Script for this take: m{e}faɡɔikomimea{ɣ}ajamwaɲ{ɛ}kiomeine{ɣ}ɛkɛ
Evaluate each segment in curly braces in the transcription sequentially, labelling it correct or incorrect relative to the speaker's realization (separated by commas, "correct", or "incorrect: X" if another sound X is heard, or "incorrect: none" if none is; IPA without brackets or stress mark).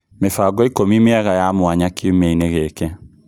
correct, correct, incorrect: a, correct